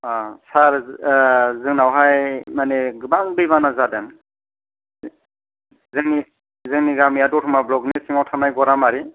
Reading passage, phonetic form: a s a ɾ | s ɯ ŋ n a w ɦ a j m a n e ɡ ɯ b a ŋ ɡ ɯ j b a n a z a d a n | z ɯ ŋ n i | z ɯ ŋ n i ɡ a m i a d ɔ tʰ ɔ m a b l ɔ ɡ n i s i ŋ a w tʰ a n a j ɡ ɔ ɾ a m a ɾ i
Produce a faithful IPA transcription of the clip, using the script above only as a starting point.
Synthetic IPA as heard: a s a ɾ | z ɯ ŋ n a w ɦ a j m a n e ɡ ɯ b a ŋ b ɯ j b a n a z a d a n | z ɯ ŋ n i | z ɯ ŋ n i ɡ a m i a d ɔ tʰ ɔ m a b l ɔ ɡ n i s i ŋ a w tʰ a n a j ɡ ɔ ɾ a m a ɾ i